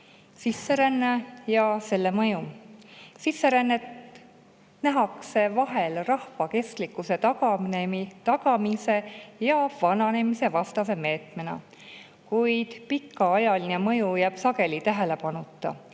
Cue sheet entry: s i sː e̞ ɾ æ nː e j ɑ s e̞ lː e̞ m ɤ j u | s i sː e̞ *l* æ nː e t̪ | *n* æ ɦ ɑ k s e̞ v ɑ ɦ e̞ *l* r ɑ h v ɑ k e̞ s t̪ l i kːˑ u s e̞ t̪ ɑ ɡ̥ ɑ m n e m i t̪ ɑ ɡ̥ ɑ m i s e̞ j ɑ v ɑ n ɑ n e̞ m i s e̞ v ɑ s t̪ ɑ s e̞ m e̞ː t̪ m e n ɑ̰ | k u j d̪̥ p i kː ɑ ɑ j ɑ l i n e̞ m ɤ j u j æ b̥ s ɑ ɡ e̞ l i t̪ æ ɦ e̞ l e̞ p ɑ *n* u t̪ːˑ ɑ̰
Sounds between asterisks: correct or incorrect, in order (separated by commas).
incorrect, correct, correct, correct